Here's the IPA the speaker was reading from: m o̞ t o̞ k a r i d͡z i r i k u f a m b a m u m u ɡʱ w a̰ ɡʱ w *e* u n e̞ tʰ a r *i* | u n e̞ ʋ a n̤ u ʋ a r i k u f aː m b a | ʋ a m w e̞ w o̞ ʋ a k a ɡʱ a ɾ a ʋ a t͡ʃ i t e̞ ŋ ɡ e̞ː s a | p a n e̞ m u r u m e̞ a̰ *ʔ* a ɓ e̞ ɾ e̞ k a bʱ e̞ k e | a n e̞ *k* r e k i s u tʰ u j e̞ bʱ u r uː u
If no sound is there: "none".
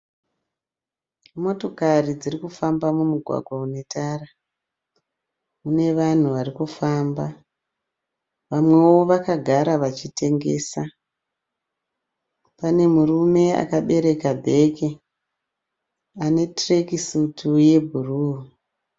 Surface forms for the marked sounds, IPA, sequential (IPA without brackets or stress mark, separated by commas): a, a, k, t